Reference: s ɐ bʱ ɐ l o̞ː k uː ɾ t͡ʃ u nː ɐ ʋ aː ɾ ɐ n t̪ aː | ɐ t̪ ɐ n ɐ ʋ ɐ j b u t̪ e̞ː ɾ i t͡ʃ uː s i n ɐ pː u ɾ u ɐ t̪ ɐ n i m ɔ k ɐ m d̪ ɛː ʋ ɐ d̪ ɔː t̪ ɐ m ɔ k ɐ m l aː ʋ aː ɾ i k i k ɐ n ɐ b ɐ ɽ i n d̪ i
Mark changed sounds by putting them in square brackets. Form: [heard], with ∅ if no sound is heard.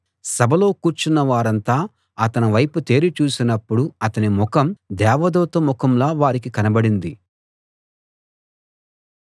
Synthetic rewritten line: s ɐ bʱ ɐ l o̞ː k uː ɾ t͡ʃ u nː ɐ ʋ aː ɾ ɐ n t̪ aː | ɐ t̪ ɐ n ɐ ʋ ɐ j [p] u t̪ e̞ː ɾ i t͡ʃ uː s i n ɐ pː u [ɽ] u ɐ t̪ ɐ n i m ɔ k ɐ m d̪ ɛː ʋ ɐ d̪ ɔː t̪ ɐ m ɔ k ɐ m l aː ʋ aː ɾ i k i k ɐ n ɐ b ɐ ɽ i n d̪ i